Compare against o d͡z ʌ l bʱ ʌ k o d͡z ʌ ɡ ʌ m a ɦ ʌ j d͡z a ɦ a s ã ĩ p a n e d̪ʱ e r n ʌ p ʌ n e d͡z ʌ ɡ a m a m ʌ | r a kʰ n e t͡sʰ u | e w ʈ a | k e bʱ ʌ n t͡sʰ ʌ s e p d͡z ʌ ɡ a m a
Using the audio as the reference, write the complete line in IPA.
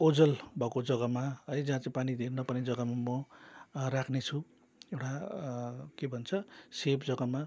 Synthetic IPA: o d͡z ʌ l bʱ ʌ k o d͡z ʌ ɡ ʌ m a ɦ ʌ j d͡z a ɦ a t͡s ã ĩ p a n i d̪ʱ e r n ʌ p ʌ n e d͡z ʌ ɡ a m a m ʌ | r a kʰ n e t͡sʰ u | e w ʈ a | k e bʱ ʌ n t͡sʰ ʌ s e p d͡z ʌ ɡ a m a